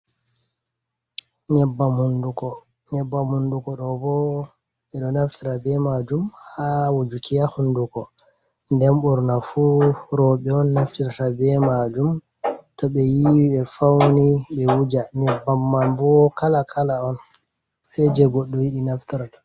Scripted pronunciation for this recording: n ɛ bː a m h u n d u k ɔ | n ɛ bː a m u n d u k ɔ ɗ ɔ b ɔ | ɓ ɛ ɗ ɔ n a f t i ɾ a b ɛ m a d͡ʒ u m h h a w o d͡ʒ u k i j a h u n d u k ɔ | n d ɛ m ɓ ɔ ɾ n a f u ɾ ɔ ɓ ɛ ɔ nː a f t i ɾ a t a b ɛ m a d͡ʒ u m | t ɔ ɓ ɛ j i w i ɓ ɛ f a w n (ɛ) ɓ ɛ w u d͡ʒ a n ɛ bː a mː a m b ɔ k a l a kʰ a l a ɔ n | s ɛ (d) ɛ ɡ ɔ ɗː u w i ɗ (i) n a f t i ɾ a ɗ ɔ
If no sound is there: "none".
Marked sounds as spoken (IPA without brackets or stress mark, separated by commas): i, d͡ʒ, i